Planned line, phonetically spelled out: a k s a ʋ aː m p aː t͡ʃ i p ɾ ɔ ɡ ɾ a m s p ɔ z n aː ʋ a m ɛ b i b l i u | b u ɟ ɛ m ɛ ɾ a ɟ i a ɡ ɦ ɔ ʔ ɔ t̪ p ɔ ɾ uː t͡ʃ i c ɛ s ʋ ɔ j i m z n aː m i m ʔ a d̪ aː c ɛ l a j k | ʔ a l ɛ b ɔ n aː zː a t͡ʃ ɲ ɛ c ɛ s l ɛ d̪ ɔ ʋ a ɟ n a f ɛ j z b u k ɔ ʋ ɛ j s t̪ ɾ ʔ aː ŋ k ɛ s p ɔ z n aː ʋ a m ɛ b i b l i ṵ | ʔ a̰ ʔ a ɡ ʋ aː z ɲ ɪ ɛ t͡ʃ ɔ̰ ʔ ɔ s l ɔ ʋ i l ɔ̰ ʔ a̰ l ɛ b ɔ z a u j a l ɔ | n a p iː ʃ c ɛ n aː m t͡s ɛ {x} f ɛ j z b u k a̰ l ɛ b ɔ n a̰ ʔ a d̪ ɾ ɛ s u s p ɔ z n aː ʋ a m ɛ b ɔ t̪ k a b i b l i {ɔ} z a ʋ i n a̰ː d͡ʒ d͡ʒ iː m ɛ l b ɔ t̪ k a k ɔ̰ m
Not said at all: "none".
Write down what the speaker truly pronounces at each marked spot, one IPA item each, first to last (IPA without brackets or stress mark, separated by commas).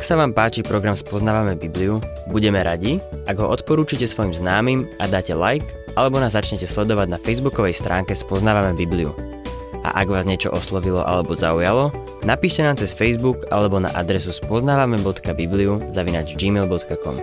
s, u